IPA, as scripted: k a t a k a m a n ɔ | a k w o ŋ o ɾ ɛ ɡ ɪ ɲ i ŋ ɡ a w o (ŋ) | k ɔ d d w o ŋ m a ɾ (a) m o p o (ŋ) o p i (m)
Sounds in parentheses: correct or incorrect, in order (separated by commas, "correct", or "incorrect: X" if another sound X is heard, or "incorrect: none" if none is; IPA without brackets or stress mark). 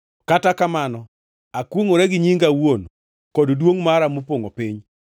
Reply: incorrect: n, correct, correct, incorrect: ɲ